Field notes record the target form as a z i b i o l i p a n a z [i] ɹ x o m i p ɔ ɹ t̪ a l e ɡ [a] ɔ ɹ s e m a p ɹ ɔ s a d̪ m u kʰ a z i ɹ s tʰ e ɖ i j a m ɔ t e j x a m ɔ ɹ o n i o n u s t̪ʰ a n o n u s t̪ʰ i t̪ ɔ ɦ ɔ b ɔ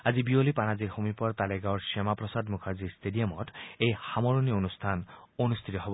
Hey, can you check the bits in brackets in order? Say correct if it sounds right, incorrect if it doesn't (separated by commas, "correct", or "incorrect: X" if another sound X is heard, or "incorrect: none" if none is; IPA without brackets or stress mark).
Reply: correct, correct